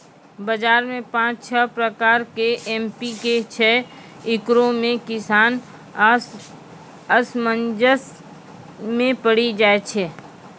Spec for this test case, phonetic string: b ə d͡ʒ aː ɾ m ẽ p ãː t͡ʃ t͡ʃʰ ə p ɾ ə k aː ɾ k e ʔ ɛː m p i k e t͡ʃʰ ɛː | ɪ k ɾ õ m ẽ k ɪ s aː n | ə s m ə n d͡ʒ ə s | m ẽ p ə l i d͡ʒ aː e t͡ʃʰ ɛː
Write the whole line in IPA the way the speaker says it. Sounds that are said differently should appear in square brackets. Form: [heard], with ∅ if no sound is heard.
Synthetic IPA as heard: b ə d͡ʒ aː ɾ m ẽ p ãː t͡ʃ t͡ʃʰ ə p ɾ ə k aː ɾ k e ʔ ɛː m p i k e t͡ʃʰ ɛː | ɪ k ɾ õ m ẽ k ɪ s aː n | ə s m ə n d͡ʒ ə s | m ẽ p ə [ɽ] i d͡ʒ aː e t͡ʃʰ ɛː